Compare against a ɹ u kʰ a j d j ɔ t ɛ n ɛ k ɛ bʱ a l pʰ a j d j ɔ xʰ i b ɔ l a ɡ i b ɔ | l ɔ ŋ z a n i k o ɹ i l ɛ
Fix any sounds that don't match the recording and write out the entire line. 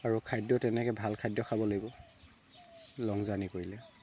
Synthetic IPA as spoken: a ɹ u kʰ a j d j ɔ t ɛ n ɛ k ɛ bʱ a l kʰ a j d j ɔ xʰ a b ɔ l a ɡ i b ɔ | l ɔ ŋ z a n i k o ɹ i l ɛ